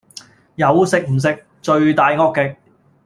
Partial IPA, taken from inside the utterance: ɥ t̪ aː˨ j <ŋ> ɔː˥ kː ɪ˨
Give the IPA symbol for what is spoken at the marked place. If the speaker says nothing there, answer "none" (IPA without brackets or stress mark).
ŋ